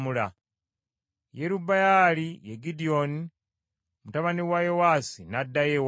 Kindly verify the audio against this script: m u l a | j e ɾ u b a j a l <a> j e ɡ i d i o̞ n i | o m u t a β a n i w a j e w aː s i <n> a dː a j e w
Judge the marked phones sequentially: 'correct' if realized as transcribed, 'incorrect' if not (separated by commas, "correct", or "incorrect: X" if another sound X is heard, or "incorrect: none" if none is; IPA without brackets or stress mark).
incorrect: i, correct